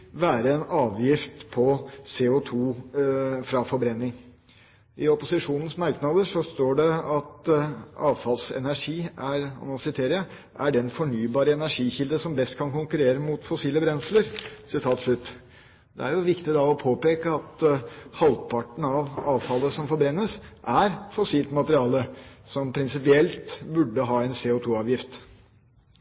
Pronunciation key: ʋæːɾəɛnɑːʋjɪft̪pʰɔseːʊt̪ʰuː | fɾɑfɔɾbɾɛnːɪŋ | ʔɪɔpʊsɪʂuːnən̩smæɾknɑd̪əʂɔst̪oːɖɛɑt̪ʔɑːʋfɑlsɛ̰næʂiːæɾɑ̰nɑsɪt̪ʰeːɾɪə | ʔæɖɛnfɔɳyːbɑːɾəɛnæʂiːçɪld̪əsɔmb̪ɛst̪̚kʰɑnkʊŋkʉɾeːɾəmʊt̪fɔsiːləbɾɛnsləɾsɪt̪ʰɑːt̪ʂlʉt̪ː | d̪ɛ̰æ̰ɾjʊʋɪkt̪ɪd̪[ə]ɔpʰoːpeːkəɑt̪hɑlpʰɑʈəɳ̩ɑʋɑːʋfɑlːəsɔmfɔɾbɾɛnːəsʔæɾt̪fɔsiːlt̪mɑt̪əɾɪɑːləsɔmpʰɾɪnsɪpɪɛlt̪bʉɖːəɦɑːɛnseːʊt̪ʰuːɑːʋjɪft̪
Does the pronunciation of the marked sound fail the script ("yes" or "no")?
yes